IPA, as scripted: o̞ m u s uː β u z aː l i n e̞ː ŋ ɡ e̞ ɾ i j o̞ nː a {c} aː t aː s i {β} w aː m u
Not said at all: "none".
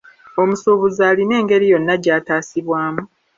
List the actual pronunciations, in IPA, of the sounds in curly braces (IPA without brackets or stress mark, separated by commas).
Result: ɟ, β